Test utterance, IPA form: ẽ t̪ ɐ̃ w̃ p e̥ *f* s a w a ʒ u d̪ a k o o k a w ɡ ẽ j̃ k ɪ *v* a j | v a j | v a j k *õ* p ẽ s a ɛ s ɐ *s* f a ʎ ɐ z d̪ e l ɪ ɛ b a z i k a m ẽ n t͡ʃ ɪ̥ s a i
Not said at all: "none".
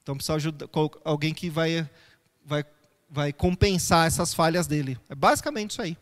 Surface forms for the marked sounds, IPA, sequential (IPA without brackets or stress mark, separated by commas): none, v, õ, s